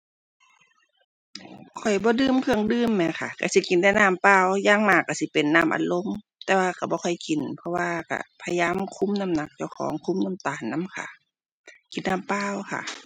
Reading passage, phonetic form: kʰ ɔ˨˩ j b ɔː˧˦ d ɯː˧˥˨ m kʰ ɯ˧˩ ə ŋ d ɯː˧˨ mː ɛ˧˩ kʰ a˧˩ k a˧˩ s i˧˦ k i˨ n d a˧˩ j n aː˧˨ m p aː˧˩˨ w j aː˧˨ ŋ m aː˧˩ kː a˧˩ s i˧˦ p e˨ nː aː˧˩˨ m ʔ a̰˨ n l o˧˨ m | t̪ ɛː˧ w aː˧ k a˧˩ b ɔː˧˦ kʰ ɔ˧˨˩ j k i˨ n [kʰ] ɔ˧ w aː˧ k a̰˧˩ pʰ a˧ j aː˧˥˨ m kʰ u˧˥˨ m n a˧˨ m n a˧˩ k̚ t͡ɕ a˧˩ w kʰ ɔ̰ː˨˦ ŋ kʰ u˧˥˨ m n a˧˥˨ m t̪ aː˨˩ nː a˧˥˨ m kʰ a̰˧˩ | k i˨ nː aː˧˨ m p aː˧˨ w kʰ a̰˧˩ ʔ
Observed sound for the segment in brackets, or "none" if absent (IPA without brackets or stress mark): pʰ